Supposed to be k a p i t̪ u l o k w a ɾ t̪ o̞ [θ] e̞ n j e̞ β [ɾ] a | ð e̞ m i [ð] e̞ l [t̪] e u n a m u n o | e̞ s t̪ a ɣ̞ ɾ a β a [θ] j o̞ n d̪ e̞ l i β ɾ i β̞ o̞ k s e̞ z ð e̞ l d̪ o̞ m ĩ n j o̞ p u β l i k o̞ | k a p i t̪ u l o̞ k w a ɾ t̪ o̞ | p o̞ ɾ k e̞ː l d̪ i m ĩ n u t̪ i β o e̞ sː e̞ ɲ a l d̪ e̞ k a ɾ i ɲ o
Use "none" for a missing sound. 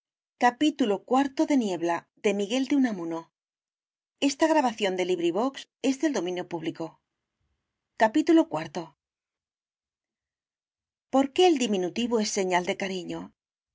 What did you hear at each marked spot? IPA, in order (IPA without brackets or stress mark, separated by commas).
ð, l, ɣ, d̪, θ